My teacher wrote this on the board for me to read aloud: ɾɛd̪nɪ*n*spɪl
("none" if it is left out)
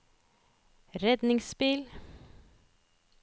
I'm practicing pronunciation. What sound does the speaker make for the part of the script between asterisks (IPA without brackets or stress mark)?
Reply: ŋ